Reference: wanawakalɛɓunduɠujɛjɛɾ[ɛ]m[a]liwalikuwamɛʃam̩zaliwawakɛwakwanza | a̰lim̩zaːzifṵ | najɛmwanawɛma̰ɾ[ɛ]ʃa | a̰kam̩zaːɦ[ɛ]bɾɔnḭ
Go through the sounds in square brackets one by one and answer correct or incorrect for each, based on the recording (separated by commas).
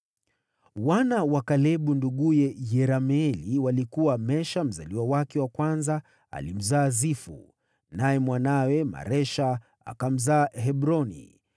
incorrect, incorrect, correct, correct